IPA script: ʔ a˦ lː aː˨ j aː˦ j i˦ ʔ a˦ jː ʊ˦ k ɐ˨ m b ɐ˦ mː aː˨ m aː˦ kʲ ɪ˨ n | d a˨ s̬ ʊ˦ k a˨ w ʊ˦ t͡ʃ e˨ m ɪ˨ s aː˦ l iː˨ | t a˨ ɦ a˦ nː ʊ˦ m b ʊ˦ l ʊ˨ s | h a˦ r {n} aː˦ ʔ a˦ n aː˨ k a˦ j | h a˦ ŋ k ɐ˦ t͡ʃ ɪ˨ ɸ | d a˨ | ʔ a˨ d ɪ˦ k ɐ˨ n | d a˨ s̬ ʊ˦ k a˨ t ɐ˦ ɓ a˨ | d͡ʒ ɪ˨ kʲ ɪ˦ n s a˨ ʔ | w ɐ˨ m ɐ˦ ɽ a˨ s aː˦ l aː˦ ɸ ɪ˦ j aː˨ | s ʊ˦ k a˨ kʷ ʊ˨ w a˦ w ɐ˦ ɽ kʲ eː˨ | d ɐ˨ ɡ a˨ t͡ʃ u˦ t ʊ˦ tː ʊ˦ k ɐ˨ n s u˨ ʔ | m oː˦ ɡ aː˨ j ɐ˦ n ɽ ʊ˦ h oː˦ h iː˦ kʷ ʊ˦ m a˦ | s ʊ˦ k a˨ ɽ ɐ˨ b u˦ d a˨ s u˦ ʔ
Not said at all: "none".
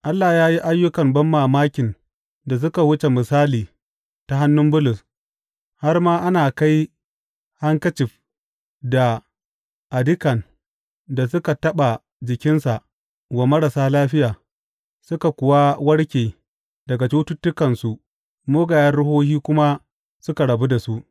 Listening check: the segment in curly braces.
m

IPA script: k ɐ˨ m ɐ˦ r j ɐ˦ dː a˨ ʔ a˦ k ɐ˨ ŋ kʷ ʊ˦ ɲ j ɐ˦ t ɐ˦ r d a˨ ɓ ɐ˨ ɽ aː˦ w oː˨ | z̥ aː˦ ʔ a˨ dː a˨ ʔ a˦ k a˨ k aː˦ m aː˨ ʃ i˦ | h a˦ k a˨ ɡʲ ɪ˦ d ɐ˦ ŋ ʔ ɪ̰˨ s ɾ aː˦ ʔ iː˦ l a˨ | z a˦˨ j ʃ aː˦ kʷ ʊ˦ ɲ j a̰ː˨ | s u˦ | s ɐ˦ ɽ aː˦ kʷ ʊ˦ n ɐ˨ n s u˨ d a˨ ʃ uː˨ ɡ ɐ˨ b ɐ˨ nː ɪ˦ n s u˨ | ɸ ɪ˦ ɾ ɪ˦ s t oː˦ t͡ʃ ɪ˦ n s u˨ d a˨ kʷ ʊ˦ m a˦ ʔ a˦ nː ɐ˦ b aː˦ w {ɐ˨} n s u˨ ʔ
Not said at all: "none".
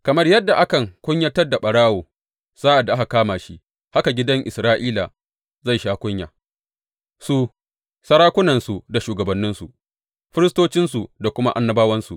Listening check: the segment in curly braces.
ɐ˦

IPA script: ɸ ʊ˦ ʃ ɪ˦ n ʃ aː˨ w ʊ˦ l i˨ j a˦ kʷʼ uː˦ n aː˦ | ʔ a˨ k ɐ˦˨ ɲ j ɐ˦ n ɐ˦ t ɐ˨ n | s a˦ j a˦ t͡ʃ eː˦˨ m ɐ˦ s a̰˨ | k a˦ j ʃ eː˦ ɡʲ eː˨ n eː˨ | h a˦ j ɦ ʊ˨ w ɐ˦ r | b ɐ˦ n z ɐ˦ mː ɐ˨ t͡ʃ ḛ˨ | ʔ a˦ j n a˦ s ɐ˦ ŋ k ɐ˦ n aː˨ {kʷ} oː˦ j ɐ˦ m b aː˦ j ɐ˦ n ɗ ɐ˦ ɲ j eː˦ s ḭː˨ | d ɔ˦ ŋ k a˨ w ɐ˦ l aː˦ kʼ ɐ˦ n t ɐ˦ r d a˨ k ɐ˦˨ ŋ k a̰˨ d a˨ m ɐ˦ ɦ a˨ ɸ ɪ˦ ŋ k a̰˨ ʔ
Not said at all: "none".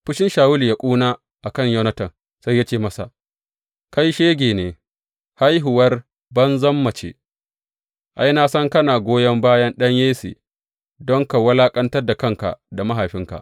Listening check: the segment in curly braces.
ɡʷ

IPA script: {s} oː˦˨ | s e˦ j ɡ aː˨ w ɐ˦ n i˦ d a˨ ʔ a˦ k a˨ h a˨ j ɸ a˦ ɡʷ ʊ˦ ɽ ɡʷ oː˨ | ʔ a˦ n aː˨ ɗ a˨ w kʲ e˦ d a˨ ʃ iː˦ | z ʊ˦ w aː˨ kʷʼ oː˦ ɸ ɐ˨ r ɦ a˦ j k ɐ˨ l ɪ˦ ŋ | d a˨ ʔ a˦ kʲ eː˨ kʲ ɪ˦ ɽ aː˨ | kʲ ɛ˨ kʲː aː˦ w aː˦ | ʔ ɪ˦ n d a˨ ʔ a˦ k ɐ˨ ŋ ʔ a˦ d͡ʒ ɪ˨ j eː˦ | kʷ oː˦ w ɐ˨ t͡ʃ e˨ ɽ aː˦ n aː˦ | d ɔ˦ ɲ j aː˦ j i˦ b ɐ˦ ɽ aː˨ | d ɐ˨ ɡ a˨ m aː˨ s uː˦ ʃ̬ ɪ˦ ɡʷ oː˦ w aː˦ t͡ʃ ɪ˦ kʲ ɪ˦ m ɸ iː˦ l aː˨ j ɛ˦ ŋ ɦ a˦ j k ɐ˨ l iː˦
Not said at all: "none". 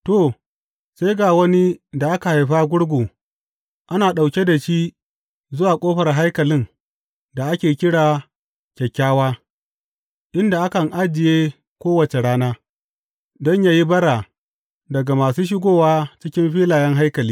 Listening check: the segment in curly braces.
t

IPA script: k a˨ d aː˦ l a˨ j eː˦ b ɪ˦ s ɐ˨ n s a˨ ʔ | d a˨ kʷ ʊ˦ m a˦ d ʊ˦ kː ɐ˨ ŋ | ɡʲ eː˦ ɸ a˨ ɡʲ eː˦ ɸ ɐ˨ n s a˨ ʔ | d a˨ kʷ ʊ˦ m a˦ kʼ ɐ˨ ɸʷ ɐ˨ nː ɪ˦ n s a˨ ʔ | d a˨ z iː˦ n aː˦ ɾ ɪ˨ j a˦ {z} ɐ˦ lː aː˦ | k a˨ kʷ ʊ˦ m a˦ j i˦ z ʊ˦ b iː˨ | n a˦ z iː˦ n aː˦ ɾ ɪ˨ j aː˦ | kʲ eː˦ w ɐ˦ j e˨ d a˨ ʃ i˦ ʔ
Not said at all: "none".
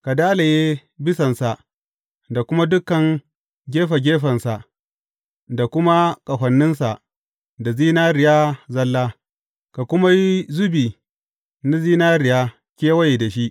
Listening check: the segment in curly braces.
z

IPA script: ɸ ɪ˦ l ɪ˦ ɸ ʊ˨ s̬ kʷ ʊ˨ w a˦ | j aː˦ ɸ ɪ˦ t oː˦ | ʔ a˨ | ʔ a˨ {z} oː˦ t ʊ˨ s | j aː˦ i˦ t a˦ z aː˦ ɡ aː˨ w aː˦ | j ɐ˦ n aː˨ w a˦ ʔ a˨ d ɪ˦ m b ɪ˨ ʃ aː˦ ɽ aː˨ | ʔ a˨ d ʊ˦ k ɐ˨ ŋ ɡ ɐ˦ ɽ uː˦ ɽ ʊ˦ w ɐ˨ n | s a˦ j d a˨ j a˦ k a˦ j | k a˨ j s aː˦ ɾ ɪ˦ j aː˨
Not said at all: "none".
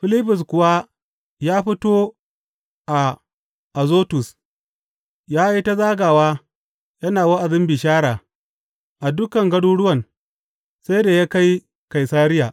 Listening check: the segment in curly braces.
z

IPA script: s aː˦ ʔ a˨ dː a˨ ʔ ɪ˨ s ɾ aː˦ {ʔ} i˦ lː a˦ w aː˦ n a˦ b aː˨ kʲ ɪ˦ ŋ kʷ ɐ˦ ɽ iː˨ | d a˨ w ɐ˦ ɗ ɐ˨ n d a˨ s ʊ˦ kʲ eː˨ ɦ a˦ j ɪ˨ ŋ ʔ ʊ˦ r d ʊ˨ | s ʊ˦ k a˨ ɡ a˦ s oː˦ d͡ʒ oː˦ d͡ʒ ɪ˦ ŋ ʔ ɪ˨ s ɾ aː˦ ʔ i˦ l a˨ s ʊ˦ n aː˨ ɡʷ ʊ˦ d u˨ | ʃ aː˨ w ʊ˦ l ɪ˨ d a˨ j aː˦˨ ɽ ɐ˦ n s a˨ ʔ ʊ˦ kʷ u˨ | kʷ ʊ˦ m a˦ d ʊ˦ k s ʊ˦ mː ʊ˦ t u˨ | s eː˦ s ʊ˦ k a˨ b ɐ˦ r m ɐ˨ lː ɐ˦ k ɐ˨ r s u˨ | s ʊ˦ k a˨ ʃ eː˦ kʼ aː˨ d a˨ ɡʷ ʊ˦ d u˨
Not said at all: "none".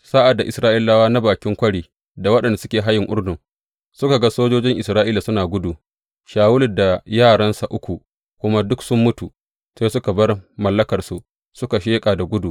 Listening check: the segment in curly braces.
ʔ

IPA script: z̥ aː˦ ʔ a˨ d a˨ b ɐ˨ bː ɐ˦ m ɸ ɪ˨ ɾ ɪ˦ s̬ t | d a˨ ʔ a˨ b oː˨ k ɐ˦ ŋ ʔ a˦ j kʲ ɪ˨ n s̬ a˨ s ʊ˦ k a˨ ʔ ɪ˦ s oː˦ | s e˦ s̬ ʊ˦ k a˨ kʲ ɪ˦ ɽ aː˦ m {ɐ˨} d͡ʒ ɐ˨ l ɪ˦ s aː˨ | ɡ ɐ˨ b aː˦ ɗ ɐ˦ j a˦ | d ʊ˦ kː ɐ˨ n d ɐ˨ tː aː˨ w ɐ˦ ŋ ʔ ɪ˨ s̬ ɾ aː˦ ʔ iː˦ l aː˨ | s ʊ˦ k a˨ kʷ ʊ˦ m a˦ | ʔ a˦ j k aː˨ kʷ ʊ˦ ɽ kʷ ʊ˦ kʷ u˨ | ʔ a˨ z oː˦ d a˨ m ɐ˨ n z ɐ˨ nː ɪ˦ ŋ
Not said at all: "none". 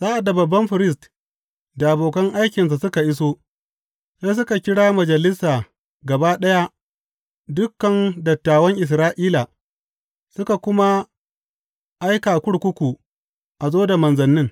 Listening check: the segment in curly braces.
ɐ˨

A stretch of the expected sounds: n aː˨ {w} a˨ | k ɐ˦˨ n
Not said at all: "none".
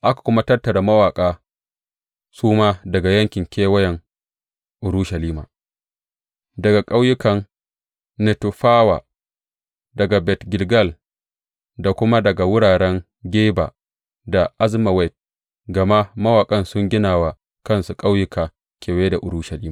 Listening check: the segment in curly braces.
w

